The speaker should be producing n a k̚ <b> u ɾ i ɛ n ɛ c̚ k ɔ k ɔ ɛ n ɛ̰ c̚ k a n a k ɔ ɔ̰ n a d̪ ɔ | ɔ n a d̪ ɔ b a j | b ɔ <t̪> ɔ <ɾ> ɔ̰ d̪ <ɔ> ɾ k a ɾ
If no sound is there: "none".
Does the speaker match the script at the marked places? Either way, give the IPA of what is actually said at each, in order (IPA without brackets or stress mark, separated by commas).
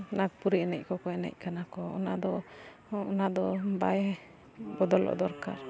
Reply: p, d̪, l, ɔ